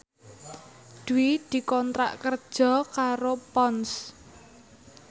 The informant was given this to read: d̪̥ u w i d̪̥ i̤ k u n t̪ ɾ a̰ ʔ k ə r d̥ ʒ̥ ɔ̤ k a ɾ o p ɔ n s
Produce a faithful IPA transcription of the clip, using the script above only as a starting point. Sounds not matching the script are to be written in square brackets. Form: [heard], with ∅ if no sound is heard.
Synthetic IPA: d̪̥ u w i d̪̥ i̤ k [ɔ] n t̪ ɾ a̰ ʔ k ə r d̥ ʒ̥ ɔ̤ k a ɾ o p ɔ n s